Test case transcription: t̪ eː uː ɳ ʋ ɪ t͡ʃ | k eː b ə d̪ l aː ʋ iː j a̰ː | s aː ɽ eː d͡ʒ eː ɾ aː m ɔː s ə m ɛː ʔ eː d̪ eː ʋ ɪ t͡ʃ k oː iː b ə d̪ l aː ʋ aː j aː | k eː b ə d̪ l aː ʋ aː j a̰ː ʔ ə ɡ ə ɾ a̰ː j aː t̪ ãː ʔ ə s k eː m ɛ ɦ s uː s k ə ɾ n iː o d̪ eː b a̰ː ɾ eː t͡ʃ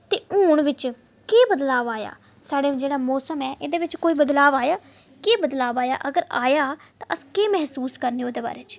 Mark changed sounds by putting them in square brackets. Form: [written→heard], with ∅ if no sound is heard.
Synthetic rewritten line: t̪ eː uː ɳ ʋ ɪ t͡ʃ | k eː b ə d̪ l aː ʋ [iː→aː] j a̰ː | s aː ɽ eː d͡ʒ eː [ɾ→ɽ] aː m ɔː s ə m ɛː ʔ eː d̪ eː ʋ ɪ t͡ʃ k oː iː b ə d̪ l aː ʋ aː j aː | k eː b ə d̪ l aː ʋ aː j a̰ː ʔ ə ɡ ə ɾ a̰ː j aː t̪ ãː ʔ ə s k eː m ɛ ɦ s uː s k ə ɾ n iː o d̪ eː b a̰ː ɾ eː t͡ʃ